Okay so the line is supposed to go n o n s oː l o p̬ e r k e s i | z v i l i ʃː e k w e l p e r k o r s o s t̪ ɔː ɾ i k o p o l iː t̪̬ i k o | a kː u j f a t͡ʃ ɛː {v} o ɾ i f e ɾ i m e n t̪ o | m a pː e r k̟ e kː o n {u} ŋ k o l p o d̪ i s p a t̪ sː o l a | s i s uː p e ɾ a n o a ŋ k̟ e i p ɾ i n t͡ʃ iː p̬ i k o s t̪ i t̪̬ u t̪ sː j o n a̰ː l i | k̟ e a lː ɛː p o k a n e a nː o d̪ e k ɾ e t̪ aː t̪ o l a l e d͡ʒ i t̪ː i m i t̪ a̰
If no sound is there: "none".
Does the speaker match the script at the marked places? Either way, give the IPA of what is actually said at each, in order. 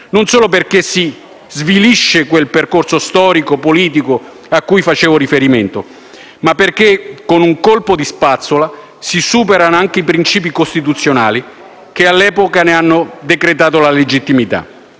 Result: v, u

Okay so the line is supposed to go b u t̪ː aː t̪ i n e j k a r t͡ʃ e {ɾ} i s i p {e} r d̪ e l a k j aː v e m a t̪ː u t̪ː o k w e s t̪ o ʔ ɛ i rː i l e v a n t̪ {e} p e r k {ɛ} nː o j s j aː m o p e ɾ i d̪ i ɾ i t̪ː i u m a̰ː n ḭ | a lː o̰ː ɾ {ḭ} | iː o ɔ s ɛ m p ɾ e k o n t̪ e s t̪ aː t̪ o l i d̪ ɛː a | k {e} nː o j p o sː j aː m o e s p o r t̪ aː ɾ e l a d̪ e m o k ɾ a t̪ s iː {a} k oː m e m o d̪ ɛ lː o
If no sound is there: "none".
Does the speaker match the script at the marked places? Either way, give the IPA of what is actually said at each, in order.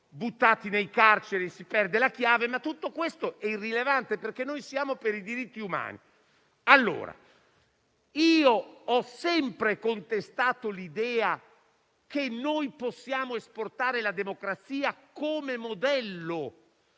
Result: ɾ, ɛ, e, e, a̰, e, a

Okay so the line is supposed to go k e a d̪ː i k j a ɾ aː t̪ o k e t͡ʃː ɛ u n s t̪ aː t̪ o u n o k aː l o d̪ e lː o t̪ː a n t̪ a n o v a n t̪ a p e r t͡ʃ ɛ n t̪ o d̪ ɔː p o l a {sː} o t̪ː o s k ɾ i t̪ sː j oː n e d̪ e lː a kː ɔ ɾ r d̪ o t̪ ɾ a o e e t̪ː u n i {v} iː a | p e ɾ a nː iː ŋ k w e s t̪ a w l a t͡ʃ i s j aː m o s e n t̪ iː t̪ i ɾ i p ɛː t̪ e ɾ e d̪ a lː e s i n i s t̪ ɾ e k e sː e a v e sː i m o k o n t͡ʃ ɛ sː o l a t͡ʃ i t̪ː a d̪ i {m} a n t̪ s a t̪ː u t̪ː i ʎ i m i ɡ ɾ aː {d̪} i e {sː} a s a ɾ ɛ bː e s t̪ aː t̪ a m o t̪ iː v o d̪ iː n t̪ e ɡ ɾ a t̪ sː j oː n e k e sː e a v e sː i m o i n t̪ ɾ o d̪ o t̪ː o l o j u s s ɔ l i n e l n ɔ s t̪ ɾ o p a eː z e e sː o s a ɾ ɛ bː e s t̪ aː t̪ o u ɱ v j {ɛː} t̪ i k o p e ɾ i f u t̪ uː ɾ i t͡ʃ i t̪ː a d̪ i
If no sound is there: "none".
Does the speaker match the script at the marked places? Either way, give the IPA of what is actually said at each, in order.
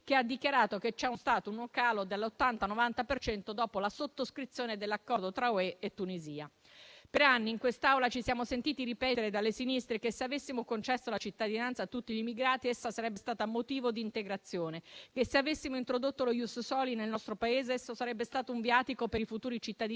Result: s, z, n, t̪, sː, aː

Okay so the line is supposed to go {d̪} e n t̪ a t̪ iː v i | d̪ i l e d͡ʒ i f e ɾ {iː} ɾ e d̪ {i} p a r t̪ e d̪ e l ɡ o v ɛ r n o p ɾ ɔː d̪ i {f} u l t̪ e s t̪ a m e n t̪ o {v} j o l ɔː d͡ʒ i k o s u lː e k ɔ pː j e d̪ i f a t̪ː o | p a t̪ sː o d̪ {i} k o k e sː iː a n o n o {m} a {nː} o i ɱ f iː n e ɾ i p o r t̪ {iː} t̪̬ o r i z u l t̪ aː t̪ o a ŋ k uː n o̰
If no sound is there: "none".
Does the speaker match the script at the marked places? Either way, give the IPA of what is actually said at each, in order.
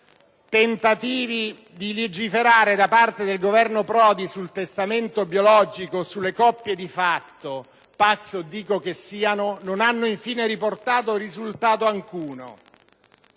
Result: t̪, aː, a, s, b, iː, n, nː, aː

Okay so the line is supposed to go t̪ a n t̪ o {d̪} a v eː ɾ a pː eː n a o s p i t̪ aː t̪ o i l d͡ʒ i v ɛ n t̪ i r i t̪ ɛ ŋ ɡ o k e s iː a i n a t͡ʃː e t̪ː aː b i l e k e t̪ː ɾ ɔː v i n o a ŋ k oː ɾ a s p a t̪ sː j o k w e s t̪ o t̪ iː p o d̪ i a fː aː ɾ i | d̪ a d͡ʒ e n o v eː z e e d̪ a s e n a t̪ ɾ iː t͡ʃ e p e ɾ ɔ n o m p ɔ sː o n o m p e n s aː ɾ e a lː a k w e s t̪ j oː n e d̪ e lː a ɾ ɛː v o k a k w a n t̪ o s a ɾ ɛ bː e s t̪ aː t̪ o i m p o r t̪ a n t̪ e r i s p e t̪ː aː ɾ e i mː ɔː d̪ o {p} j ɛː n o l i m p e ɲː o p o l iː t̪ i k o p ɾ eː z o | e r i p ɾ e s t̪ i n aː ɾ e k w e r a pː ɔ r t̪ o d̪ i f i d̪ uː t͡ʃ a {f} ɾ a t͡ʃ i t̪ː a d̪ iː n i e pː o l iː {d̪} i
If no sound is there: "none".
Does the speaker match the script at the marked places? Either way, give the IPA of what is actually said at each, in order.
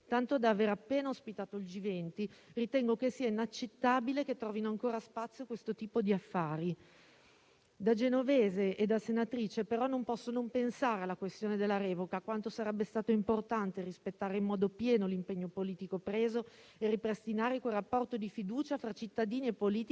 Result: d̪, p, f, t̪

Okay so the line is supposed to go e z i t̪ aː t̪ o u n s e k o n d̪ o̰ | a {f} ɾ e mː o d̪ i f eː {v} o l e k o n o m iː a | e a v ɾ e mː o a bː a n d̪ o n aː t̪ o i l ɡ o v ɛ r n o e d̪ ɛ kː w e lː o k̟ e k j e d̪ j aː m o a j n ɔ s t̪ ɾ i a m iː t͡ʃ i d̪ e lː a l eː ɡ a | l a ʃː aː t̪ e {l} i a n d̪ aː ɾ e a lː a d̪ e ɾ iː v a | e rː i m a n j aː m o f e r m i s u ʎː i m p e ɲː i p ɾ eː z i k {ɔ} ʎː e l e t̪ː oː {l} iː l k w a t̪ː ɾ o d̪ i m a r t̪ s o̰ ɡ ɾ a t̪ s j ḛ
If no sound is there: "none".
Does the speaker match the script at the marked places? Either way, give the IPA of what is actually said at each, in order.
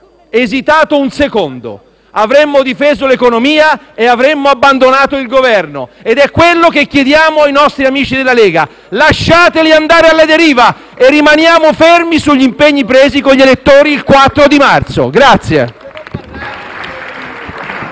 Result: v, z, l, o, ɾ

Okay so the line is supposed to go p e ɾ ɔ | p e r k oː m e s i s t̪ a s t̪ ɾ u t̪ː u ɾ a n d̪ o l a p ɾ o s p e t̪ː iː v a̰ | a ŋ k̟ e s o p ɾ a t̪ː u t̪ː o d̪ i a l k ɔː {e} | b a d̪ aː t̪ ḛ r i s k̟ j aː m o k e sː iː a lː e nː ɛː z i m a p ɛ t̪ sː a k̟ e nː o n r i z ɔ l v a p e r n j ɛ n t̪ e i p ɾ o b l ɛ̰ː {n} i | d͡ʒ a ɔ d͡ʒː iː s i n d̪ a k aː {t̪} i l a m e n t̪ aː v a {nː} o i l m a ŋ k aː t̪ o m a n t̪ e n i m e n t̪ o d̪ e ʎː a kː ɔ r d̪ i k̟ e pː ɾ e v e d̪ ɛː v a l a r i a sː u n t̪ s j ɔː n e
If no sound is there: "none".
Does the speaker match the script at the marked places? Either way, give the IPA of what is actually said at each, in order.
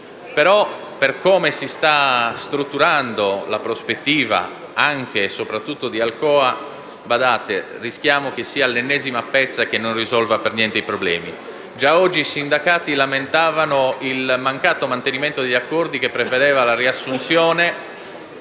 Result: a, m, t̪, n

